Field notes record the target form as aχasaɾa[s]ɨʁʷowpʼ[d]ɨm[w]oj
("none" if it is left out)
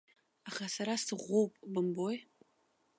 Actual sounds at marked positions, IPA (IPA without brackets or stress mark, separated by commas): s, b, b